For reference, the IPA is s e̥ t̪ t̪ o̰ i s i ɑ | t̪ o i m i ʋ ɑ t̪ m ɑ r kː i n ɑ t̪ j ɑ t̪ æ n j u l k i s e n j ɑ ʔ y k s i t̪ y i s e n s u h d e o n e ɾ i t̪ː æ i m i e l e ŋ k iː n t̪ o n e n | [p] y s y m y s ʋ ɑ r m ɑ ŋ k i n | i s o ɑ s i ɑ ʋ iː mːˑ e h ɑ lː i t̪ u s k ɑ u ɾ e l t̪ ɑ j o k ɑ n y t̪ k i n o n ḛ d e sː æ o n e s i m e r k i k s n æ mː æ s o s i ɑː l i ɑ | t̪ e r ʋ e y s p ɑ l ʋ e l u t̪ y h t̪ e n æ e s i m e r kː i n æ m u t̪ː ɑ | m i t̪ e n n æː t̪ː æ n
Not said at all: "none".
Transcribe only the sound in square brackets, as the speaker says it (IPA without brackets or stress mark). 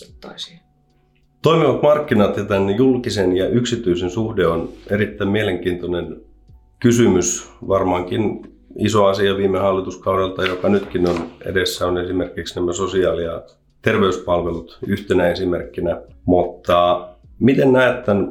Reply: k